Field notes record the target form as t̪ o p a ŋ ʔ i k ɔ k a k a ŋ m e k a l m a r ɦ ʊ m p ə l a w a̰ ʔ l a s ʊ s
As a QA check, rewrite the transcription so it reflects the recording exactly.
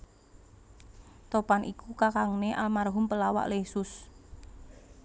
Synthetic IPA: t̪ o p a n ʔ i k u k a k a ŋ n e ʔ a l m a r ɦ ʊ m p ə l a w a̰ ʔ l e s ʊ s